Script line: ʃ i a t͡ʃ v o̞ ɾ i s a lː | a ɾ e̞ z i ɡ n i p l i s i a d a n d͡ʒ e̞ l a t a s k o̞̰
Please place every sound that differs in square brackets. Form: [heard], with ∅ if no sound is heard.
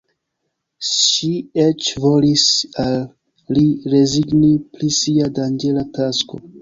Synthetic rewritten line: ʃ i [e] t͡ʃ v o̞ [l] i s a lː | [i] ɾ e̞ z i ɡ n i p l i s i a d a n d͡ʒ e̞ l a t a s k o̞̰